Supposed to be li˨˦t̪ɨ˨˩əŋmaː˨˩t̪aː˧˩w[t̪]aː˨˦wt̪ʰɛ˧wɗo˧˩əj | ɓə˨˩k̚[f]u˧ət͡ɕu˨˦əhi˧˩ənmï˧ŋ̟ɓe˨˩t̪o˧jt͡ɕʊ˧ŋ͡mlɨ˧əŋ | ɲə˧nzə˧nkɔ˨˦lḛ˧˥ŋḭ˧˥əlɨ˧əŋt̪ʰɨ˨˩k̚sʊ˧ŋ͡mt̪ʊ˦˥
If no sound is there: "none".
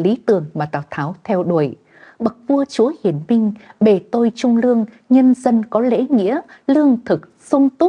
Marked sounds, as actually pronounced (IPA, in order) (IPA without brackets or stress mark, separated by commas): t̪ʰ, v